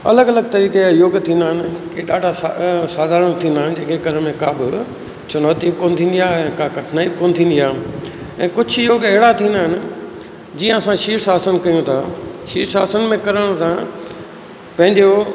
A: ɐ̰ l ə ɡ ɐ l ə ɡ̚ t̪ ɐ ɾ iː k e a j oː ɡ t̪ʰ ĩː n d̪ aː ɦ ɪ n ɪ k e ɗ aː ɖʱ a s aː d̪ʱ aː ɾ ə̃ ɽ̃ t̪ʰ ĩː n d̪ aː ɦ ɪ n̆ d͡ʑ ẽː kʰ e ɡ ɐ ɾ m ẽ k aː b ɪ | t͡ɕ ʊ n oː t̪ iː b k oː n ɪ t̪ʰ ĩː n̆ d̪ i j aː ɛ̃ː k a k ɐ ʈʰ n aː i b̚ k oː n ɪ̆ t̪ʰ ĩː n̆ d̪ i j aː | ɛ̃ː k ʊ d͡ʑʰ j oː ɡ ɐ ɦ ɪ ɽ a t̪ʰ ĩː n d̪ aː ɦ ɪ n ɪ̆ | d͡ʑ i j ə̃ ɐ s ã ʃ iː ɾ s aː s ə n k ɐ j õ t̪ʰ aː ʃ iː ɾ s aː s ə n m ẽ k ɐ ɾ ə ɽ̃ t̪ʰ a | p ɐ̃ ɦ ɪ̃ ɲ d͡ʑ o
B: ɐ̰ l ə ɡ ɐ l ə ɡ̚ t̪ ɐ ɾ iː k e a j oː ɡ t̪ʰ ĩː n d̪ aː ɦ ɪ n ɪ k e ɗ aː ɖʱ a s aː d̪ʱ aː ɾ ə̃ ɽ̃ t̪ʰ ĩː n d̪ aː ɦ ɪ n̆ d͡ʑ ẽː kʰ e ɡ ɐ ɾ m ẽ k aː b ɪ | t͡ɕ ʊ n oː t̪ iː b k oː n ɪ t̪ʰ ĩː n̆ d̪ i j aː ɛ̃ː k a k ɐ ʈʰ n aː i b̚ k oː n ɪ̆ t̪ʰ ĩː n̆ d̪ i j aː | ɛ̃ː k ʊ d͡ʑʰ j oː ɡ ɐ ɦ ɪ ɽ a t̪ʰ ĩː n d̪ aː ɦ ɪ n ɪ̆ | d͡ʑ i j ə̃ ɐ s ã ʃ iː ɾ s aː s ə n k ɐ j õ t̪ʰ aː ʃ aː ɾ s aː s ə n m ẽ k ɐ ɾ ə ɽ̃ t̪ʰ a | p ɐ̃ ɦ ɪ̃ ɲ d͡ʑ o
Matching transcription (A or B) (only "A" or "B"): A